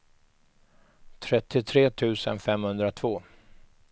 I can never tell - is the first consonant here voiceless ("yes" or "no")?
yes